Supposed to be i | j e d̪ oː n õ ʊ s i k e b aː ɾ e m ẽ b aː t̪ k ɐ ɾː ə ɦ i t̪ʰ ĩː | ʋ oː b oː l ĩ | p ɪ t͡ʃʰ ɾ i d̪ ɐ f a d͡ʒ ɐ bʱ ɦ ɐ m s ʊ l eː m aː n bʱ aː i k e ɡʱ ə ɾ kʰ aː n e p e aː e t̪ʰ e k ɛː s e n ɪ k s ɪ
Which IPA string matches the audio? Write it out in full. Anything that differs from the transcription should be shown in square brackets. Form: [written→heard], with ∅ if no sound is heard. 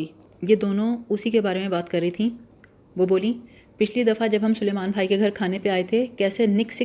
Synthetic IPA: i | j e d̪ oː n õ ʊ s i k e b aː ɾ e m ẽ b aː t̪ k ɐ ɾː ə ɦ i t̪ʰ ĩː | ʋ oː b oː l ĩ | p ɪ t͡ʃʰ [ɾ→l] i d̪ ɐ f a d͡ʒ ɐ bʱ ɦ ɐ m s ʊ l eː m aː n bʱ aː i k e ɡʱ [ə→ɐ] ɾ kʰ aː n e p e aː e t̪ʰ e k ɛː s e n ɪ k s ɪ